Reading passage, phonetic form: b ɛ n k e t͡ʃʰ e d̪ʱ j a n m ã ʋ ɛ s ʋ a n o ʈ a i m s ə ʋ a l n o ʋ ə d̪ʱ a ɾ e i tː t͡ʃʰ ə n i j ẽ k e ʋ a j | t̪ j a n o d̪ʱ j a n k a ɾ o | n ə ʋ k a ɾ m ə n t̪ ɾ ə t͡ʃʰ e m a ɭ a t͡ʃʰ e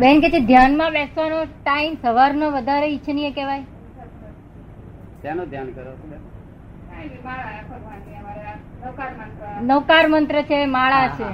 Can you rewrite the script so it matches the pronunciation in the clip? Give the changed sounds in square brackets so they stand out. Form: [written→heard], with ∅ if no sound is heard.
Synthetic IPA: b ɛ n k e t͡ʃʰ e d̪ʱ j a n m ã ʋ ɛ s ʋ a n o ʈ a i m s ə ʋ a [l→ɾ] n o ʋ ə d̪ʱ a ɾ e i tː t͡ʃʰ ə n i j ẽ k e ʋ a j | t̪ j a n o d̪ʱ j a n k [a→ə] ɾ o | n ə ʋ k a ɾ m ə n t̪ ɾ ə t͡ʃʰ e m a ɭ a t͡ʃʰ e